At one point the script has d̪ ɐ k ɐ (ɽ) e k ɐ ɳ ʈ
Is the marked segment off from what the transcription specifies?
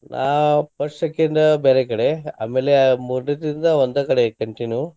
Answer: no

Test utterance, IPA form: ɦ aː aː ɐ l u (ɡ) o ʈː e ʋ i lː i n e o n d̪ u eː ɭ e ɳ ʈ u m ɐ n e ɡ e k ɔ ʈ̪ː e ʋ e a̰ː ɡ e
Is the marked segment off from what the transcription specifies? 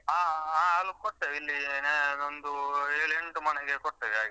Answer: yes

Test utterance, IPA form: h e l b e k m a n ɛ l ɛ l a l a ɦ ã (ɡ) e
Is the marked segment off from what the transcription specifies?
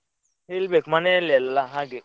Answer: no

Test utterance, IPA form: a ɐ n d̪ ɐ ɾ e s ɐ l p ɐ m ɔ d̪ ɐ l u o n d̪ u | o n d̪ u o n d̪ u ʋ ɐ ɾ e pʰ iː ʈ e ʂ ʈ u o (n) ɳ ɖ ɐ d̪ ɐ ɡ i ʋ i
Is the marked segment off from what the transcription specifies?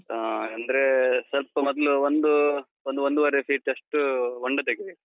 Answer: yes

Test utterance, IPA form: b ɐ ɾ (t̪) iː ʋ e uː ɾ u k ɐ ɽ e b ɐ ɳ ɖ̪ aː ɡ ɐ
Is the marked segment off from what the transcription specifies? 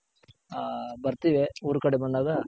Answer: no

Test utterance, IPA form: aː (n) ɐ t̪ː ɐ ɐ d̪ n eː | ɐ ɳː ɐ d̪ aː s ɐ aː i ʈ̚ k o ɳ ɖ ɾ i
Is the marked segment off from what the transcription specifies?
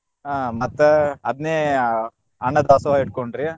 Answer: yes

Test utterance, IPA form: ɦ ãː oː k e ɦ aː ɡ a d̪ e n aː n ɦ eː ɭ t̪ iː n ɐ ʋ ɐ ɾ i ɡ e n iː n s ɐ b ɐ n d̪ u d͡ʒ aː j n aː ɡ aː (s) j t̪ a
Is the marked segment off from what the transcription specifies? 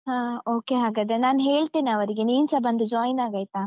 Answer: yes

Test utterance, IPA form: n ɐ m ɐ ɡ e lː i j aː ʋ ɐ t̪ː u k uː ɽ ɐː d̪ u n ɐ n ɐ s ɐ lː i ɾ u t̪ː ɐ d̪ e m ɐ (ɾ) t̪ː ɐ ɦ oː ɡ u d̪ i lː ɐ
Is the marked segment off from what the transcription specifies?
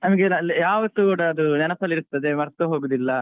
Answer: no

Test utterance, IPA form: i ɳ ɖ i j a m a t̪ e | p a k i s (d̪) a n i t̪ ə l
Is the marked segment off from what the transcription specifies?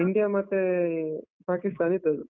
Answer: yes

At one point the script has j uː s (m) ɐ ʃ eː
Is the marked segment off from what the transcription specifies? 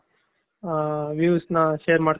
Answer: yes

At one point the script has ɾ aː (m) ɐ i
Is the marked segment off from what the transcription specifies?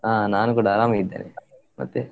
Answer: no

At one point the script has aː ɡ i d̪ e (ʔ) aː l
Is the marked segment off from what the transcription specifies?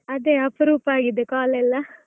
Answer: yes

